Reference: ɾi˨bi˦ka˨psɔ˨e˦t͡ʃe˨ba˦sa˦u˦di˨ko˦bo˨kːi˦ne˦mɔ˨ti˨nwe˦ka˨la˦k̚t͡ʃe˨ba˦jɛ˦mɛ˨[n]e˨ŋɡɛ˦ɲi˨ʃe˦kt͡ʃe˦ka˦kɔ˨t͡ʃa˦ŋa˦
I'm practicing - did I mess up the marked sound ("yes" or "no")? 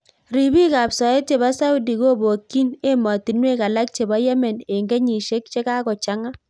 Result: no